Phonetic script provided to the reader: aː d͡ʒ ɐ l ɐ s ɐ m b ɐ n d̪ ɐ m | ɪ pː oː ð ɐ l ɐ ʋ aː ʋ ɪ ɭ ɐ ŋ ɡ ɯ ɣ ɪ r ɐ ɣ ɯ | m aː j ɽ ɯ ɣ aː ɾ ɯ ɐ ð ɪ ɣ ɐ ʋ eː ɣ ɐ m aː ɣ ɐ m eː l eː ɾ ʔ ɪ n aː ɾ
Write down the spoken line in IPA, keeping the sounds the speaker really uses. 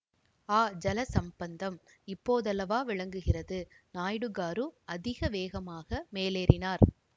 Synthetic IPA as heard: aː d͡ʒ ɐ l ɐ s ɐ m b ɐ n d̪ ɐ m | ɪ pː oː ð ɐ l ɐ ʋ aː ʋ ɪ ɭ ɐ ŋ ɡ ɯ ɣ ɪ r ɐ ð ɯ | n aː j ɽ ɯ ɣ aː ɾ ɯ ɐ ð ɪ ɣ ɐ ʋ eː ɣ ɐ m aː ɣ ɐ m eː l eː ɾ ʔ ɪ n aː ɾ